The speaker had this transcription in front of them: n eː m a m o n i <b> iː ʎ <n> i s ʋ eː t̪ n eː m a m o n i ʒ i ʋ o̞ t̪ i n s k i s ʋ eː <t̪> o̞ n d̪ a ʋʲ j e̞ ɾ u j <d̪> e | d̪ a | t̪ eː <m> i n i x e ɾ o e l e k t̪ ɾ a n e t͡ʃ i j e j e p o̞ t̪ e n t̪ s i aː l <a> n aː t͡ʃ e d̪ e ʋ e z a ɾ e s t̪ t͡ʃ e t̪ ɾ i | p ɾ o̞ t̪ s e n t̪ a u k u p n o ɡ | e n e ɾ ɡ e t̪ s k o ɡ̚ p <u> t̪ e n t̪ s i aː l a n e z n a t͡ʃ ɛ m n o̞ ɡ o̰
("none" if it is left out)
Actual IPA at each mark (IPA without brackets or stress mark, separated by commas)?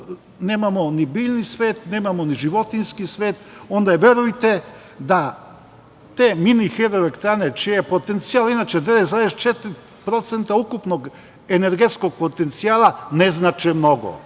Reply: b, n, t̪, t̪, m, i, o